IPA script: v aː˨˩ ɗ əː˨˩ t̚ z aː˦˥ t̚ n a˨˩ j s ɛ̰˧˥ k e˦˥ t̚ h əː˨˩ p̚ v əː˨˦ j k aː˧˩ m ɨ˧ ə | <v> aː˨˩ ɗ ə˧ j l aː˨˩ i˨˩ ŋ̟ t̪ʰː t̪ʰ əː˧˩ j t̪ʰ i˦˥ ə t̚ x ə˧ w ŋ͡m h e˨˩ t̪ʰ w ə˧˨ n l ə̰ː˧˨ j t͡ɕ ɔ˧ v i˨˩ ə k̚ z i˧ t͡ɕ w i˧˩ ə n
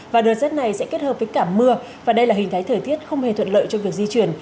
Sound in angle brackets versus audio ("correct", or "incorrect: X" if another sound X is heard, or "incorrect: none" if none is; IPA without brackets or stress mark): correct